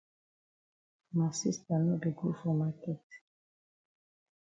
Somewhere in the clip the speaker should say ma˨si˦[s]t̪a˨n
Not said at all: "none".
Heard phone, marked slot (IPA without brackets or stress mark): s